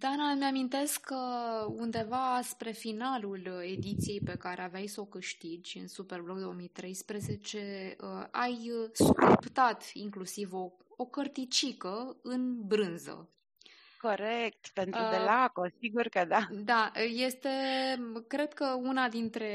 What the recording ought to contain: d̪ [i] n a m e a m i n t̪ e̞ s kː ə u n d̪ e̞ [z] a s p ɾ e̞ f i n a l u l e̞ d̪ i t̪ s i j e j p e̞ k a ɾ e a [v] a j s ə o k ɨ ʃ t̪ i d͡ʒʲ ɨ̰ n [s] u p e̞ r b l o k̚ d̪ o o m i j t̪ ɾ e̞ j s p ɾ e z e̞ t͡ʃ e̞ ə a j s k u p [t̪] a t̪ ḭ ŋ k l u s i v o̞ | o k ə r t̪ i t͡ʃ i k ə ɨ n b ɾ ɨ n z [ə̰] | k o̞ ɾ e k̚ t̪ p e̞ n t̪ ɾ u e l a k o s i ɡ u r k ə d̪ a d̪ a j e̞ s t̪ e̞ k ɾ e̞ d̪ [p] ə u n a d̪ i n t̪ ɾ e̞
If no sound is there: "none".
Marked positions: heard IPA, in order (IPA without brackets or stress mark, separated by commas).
a, v, v, s, t̪, ə̰, k